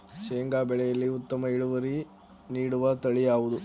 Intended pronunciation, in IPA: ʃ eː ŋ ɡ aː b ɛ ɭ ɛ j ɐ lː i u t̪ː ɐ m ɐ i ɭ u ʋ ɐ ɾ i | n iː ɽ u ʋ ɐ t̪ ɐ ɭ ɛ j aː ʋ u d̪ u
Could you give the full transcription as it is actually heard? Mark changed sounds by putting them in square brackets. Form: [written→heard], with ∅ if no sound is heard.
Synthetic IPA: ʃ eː ŋ ɡ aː b ɛ ɭ ɛ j ɐ lː i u t̪ː ɐ m ɐ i ɭ u ʋ ɐ ɾ i | n iː ɽ u ʋ ɐ t̪ ɐ ɭ [ɛ→i] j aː ʋ u d̪ u